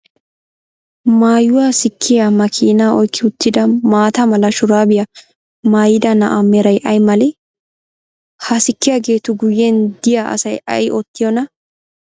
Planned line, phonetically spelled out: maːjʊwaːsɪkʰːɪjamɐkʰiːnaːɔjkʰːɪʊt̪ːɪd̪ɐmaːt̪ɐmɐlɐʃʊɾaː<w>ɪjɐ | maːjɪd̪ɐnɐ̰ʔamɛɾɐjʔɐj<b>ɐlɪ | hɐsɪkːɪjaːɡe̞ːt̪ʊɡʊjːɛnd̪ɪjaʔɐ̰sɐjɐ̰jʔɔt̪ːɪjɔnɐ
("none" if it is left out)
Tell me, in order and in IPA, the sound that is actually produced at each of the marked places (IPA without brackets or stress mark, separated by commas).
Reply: b, m